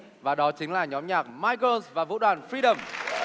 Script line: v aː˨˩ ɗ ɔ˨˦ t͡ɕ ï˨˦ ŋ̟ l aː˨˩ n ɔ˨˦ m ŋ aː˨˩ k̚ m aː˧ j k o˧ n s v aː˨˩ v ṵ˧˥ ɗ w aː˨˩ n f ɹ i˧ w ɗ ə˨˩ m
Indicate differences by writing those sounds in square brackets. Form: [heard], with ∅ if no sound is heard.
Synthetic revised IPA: v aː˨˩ ɗ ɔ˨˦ t͡ɕ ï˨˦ ŋ̟ l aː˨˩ [ɲ] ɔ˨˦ m [ɲ] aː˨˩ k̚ m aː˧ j k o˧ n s v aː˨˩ v ṵ˧˥ ɗ w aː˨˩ n f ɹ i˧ [∅] ɗ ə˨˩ m